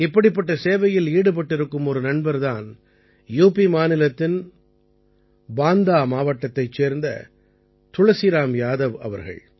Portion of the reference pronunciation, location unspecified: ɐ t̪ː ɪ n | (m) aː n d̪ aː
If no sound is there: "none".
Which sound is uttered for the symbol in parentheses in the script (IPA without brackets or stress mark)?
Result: b